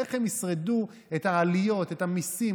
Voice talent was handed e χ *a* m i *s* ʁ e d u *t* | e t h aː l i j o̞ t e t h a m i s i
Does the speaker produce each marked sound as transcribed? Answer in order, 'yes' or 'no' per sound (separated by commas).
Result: no, yes, no